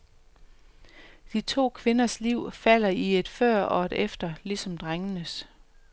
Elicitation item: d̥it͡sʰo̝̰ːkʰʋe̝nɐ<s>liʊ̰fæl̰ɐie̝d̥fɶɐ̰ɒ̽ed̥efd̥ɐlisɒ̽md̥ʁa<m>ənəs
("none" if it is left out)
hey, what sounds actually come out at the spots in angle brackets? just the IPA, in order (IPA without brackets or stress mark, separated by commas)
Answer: s, ŋ